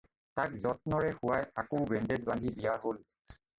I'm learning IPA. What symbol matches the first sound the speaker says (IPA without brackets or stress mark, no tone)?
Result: t